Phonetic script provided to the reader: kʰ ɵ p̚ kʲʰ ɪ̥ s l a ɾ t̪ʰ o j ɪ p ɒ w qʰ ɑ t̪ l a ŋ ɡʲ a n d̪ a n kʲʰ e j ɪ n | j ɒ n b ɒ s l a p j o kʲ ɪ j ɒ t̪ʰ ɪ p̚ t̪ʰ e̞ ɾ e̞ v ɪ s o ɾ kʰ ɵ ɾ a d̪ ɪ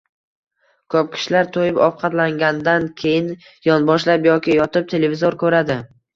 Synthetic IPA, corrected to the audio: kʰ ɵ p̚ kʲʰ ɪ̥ ʃ l a ɾ t̪ʰ o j ɪ p ɒ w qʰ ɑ t̪ l a ŋ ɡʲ a n d̪ a n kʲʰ e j ɪ n | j ɒ n b ɒ ʃ l a p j ɒ kʲ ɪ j ɒ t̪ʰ ɪ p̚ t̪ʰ e̞ l e̞ v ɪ z o ɾ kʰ ɵ ɾ a d̪ ɪ